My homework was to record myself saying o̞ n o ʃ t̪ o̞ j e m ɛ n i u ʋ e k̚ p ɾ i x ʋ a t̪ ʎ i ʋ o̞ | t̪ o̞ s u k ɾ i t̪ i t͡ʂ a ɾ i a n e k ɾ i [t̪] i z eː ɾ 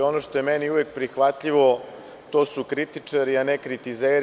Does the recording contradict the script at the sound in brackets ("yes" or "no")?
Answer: no